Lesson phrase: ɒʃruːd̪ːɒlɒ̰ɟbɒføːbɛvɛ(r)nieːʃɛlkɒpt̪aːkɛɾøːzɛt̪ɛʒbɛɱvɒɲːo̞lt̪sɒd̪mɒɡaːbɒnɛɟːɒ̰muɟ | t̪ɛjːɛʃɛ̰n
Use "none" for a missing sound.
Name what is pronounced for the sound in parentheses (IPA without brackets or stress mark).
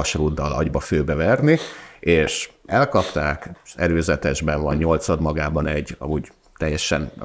r